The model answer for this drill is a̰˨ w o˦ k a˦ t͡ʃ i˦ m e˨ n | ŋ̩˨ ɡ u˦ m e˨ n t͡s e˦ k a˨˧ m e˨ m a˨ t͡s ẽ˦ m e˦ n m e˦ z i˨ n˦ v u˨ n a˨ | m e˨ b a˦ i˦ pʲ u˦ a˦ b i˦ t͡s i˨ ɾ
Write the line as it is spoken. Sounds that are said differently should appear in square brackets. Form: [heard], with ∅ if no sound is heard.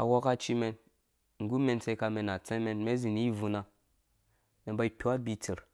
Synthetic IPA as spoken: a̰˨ w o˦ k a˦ t͡ʃ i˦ m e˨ n | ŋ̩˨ ɡ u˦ m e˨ n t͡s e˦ k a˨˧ m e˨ [n] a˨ t͡s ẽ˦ m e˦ n m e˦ z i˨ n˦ v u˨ n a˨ | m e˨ b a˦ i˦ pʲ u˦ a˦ b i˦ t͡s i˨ ɾ